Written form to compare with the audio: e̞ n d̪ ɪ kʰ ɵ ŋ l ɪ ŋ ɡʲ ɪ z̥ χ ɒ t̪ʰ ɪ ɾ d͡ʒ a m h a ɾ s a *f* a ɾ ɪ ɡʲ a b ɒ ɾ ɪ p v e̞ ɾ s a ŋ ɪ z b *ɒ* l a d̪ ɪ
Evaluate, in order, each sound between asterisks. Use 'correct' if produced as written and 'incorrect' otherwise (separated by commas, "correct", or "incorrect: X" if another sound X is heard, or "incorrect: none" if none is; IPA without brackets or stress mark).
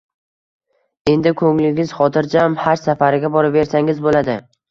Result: correct, incorrect: o